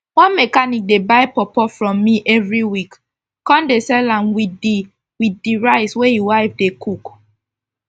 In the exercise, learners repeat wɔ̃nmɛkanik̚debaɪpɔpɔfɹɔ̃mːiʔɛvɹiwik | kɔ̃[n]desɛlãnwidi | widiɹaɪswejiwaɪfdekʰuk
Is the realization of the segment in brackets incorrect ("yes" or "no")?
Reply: no